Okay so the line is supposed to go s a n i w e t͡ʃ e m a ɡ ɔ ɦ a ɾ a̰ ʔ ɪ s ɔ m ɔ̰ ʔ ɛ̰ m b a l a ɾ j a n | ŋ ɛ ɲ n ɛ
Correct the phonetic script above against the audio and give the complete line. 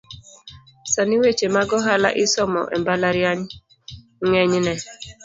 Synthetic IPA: s a n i w e t͡ʃ e m a ɡ ɔ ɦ a l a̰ ʔ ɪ s ɔ m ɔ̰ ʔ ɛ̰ m b a l a ɾ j a ɲ | ŋ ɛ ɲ n ɛ